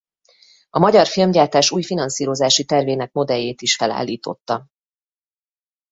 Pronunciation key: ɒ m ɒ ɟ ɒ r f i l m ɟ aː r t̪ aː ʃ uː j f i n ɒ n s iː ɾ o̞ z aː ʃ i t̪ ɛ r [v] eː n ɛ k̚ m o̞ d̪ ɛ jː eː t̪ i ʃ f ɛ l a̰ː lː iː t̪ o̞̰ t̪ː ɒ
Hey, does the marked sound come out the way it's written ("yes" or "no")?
yes